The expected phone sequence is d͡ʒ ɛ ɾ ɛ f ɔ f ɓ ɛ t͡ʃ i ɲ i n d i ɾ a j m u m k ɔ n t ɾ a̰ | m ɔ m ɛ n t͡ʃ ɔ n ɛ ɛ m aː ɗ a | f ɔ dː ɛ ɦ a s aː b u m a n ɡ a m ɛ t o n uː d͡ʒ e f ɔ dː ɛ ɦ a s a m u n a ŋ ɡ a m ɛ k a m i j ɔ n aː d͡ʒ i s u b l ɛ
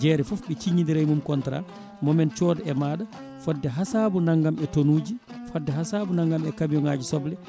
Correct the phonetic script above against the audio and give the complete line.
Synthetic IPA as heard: d͡ʒ ɛ ɾ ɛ f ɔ f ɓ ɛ t͡ʃ i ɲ i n d i ɾ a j m u m k ɔ n t ɾ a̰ | m ɔ m ɛ n t͡ʃ ɔ d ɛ ɛ m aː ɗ a | f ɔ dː ɛ ɦ a s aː b u n a ŋ ɡ a m ɛ t o n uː d͡ʒ i f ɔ dː ɛ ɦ a s a b u n a ŋ ɡ a m ɛ k a m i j ɔ ŋ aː d͡ʒ i s ɔ b l ɛ